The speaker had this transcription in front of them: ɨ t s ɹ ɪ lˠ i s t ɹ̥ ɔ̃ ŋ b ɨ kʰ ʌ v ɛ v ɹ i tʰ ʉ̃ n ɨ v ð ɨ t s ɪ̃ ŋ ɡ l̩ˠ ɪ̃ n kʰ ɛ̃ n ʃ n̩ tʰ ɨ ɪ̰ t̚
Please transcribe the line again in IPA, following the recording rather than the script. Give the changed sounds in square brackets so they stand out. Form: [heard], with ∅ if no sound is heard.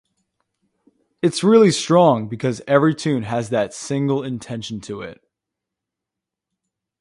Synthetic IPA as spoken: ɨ t s ɹ ɪ lˠ i s t ɹ̥ ɔ̃ ŋ b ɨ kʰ ʌ [z] ɛ v ɹ i tʰ ʉ̃ n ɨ [z] ð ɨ t s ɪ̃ ŋ ɡ l̩ˠ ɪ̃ n [tʰ] ɛ̃ n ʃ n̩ tʰ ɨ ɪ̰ t̚